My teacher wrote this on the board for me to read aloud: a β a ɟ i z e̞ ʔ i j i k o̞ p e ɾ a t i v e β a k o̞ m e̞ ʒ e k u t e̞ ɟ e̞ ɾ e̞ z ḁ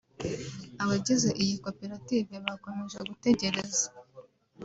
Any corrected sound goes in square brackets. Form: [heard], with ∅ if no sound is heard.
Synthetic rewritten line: a β a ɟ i z e̞ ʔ i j i k o̞ p e ɾ a t i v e β a k o̞ m e̞ ʒ e [ɡ] u t e̞ ɟ e̞ ɾ e̞ z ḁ